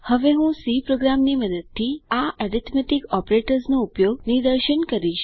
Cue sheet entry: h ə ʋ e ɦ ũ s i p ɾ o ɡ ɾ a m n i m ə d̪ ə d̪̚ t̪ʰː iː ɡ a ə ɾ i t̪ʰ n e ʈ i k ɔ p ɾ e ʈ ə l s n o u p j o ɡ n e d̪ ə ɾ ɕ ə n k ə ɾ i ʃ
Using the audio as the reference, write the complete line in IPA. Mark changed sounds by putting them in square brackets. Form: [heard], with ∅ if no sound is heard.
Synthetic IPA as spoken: h ə ʋ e ɦ ũ s i p ɾ o ɡ ɾ a m n i m ə d̪ ə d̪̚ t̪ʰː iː [∅] a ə ɾ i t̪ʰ [m] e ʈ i k ɔ p ɾ e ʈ ə [ɾ] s n o u p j o ɡ n [i] d̪ ə ɾ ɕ ə n k ə ɾ i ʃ